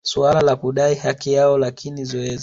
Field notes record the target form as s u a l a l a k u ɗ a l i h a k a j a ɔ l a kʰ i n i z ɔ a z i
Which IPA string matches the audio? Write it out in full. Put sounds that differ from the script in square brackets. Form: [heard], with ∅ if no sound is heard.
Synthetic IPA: s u a l a l a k u ɗ a [∅] i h a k [i] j a ɔ l a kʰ i n i z ɔ [ɛ] z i